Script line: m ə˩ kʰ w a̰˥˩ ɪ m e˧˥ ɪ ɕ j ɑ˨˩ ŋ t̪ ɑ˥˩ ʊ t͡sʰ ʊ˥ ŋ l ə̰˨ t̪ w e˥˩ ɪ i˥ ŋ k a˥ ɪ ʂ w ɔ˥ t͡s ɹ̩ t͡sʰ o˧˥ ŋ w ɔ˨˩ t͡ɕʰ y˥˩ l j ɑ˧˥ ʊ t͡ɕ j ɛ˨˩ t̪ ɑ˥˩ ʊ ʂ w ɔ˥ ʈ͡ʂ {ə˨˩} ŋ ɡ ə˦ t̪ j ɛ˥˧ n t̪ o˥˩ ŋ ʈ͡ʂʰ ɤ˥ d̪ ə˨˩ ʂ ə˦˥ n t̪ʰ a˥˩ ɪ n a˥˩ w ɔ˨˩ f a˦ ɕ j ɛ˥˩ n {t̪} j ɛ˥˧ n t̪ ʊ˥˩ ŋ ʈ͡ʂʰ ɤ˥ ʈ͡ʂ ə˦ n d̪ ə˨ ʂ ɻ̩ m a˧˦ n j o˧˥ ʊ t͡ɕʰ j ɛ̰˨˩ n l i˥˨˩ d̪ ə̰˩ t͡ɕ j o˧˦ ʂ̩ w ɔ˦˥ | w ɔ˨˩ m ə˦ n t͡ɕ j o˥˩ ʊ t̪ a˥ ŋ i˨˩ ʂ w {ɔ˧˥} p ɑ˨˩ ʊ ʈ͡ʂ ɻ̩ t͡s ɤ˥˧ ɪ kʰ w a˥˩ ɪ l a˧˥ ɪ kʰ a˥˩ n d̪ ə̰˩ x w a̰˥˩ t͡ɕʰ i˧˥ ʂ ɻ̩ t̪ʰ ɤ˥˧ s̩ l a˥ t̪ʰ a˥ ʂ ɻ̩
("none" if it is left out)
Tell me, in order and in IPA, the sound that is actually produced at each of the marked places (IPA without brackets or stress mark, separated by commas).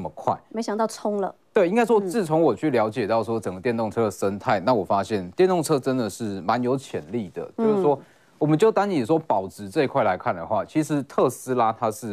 ə˨˩, t̪, ɔ˥